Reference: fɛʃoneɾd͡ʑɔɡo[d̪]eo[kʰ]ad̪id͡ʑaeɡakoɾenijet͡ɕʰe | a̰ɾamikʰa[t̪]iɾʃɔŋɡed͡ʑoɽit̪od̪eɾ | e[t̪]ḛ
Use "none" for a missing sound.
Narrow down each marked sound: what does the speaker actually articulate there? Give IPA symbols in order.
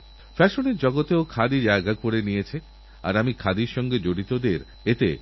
t̪, kʰ, d̪, t̪

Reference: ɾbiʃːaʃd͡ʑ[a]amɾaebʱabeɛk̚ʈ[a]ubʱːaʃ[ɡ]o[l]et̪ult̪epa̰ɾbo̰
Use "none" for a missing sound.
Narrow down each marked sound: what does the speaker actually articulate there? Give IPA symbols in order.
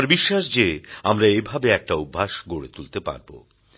e, a, ɡ, ɽ

